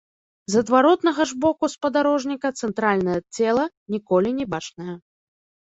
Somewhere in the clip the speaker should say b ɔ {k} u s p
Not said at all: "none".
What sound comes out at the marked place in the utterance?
k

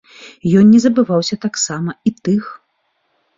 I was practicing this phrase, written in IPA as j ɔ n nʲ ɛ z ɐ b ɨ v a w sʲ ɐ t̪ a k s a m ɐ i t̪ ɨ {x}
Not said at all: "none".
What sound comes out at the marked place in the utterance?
x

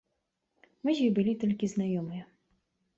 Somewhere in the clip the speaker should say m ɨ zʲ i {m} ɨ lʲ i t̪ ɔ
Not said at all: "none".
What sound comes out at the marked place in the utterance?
b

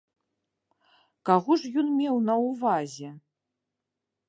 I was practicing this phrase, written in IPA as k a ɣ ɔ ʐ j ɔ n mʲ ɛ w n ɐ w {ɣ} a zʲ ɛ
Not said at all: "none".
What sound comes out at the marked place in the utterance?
v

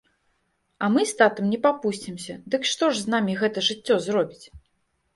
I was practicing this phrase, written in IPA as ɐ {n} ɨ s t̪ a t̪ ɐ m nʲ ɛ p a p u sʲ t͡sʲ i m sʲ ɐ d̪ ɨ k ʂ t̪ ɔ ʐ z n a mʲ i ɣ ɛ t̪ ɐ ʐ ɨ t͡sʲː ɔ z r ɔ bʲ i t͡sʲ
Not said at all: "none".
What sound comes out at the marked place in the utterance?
m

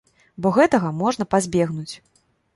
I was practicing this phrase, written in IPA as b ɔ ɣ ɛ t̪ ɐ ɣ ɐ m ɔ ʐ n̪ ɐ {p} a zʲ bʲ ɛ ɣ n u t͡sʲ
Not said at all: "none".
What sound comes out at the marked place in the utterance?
p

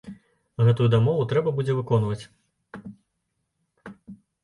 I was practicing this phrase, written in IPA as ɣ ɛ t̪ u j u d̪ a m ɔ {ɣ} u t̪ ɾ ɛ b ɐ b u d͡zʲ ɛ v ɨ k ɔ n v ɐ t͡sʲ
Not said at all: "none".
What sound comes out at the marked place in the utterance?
v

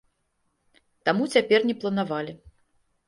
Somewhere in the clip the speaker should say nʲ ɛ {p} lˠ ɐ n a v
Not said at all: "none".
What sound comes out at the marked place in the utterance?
p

